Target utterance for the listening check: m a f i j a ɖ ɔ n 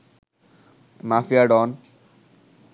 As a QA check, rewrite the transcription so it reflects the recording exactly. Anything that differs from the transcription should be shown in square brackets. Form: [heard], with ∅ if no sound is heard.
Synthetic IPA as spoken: m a f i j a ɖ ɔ n